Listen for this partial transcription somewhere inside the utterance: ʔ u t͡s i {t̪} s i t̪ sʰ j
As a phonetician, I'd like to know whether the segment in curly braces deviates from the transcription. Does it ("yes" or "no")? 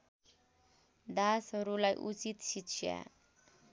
no